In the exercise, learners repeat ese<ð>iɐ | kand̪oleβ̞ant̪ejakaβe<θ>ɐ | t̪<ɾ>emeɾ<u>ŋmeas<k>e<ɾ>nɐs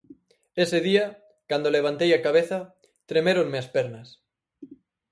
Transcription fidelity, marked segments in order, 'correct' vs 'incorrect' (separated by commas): correct, correct, correct, incorrect, incorrect, correct